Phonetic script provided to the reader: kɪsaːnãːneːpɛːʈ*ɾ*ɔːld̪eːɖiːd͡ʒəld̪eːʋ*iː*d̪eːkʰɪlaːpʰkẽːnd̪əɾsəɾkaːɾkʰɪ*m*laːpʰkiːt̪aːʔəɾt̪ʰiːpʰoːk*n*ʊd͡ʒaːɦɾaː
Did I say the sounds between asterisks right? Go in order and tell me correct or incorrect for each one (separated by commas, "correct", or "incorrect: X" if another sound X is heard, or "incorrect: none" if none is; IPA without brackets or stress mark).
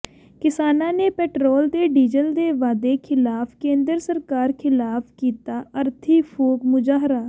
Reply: correct, incorrect: aː, incorrect: none, incorrect: m